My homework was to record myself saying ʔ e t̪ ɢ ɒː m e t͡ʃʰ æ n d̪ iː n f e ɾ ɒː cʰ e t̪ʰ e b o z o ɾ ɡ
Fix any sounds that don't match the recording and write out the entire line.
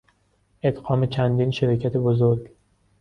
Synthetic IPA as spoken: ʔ e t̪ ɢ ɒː m e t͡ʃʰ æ n d̪ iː n ʃ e ɾ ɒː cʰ æ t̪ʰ e b o z o ɾ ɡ